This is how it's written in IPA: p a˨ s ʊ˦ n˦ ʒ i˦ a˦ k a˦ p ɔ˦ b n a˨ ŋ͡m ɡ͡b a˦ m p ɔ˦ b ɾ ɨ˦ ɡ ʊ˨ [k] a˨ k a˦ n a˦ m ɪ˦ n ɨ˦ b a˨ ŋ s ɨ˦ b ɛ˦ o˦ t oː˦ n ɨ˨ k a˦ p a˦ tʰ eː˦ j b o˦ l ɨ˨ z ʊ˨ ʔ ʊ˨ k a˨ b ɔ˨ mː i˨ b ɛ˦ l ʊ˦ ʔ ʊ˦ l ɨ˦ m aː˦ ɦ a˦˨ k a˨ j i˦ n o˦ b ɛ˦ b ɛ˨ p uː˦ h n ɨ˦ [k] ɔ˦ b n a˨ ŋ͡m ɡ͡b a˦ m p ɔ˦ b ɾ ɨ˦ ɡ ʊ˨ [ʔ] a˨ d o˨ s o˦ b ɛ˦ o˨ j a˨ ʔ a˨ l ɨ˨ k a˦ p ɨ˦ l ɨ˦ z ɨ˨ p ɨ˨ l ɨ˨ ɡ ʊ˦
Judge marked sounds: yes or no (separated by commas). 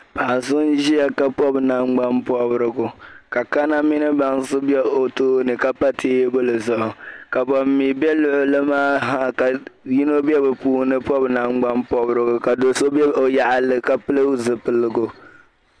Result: yes, no, no